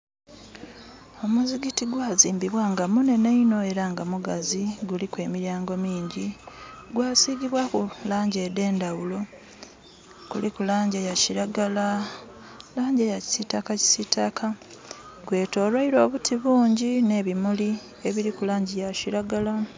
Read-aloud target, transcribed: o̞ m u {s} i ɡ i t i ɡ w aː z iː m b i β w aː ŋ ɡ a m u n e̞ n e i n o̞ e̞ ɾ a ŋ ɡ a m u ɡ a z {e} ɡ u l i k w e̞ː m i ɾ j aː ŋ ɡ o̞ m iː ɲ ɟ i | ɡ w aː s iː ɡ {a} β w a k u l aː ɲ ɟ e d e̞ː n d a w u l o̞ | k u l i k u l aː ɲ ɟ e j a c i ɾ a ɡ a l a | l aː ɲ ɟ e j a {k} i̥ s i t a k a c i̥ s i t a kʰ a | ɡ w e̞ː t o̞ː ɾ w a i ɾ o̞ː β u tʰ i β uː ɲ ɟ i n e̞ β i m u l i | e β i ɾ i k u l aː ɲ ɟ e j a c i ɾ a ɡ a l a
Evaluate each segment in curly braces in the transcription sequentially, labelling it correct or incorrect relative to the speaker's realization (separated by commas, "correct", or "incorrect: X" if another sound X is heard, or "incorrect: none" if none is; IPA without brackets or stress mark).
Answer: incorrect: z, incorrect: i, incorrect: i, incorrect: c